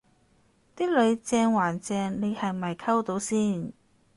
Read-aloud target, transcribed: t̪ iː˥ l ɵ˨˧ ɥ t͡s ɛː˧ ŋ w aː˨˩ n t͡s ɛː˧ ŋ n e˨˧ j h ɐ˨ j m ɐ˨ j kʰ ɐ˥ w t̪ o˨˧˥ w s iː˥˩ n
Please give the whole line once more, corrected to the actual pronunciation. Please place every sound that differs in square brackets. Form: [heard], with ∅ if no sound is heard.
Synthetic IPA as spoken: t̪ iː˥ l ɵ˨˧ ɥ t͡s ɛː˧ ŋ w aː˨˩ n t͡s ɛː˧ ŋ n e˨˧ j h ɐ˨ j m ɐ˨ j kʰ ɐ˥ w t̪ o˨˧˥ w s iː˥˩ n